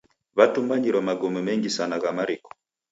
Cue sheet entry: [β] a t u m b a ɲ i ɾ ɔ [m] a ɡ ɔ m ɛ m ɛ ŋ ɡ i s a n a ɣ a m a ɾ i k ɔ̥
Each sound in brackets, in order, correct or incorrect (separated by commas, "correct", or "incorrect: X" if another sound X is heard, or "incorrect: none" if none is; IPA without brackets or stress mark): correct, correct